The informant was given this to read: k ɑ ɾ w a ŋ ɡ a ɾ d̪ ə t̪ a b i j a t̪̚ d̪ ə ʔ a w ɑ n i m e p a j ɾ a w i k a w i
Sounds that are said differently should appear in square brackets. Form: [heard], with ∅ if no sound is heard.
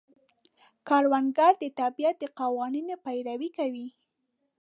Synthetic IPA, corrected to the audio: k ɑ ɾ w a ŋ ɡ a ɾ d̪ ə t̪ a b i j a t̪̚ d̪ ə [q] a w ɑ n i [n] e p a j ɾ a w i k a w i